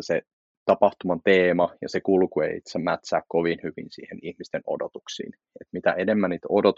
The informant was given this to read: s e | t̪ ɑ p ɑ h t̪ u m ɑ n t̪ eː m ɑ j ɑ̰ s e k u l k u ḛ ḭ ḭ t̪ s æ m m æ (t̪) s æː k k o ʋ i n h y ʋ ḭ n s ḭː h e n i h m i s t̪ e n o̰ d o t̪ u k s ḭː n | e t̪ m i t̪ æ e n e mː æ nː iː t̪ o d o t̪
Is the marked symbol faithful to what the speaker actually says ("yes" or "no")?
yes